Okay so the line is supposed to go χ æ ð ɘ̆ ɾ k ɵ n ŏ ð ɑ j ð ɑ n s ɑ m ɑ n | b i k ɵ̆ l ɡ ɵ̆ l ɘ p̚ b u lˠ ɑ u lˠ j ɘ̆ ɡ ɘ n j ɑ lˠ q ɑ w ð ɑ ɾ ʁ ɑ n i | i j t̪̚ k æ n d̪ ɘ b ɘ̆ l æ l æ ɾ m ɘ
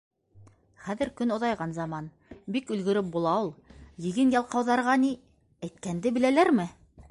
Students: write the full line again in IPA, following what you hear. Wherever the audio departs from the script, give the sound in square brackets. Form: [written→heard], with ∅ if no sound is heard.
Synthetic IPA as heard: χ æ ð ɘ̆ ɾ k ɵ n ŏ ð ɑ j [ð→ʁ] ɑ n [s→z] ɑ m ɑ n | b i k ɵ̆ l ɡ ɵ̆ [l→ɾ] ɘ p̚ b u lˠ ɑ u lˠ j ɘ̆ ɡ ɘ n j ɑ lˠ q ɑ w ð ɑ ɾ ʁ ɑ n i | [i→æ] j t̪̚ k æ n d̪ ɘ b ɘ̆ l æ l æ ɾ m ɘ